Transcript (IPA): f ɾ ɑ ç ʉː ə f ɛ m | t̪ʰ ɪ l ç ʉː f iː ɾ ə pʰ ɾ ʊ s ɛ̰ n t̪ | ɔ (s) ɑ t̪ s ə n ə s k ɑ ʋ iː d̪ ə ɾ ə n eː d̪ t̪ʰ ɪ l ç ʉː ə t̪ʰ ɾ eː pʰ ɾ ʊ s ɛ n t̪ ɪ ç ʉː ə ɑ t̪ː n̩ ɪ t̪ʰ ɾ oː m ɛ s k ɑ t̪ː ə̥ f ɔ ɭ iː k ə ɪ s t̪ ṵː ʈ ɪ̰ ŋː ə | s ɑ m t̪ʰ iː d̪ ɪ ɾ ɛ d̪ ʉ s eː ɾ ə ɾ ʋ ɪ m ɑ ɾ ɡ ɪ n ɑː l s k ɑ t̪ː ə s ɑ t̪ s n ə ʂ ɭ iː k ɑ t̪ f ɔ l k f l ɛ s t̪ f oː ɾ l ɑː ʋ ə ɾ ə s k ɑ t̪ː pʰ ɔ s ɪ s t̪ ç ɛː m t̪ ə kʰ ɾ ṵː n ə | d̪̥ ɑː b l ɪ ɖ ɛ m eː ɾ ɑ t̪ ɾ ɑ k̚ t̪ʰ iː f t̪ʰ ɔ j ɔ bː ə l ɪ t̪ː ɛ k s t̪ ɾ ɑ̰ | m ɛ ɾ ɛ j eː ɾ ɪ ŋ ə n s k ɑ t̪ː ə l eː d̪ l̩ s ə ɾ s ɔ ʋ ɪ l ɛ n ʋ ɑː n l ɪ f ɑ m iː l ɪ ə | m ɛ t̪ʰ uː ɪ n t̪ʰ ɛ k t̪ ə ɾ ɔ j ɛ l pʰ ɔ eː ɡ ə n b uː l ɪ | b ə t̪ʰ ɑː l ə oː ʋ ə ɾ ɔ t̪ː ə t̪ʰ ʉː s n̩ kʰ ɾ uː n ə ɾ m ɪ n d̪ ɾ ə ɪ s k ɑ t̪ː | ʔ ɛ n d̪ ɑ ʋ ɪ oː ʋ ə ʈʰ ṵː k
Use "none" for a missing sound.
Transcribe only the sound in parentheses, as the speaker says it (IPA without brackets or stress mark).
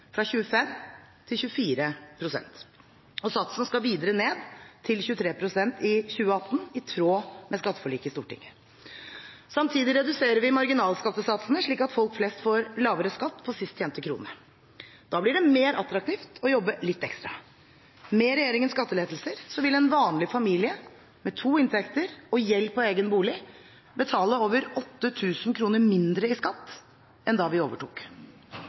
s